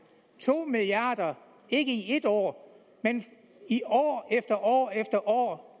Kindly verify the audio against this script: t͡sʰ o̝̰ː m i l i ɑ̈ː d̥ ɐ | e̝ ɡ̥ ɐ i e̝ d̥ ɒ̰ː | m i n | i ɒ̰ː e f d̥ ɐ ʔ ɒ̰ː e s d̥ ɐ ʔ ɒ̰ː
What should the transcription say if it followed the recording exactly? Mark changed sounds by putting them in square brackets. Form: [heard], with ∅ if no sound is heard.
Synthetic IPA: t͡sʰ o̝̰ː m i l i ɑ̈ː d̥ ɐ | e̝ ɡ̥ [ə] i e̝ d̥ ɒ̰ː | m [e] n | i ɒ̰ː e f d̥ ɐ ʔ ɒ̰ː e [f] d̥ ɐ ʔ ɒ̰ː